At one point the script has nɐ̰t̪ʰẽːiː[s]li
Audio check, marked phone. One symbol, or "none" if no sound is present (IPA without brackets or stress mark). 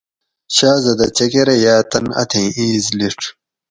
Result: z